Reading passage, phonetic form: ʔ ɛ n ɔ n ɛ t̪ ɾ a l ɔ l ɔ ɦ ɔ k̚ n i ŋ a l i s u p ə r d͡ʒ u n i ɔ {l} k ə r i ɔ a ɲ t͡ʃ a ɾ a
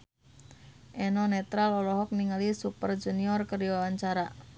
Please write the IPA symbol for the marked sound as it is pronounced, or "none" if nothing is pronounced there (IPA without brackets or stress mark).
r